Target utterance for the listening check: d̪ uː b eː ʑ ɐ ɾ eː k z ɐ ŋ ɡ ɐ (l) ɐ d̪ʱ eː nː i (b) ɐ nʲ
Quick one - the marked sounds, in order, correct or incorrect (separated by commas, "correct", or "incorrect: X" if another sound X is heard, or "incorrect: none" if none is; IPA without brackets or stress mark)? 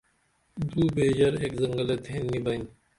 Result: correct, correct